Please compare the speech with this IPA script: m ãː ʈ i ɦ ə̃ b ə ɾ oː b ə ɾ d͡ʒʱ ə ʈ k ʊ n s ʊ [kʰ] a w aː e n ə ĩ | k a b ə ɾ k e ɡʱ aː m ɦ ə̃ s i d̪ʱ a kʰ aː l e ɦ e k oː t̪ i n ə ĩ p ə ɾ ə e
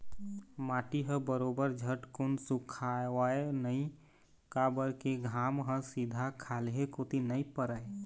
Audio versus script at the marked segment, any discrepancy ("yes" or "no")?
no